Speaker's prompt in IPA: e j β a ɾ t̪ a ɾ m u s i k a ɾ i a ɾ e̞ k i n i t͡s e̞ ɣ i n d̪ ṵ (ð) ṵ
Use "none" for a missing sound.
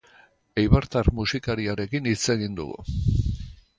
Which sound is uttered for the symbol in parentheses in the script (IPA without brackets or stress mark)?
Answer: ɣ